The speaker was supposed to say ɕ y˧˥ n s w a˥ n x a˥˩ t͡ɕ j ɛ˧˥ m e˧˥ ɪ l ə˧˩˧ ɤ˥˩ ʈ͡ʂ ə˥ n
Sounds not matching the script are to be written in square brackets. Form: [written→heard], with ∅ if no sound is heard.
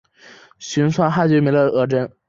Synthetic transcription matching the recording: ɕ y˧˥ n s w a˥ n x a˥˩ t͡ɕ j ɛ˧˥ m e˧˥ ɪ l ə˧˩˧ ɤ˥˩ ʈ͡ʂ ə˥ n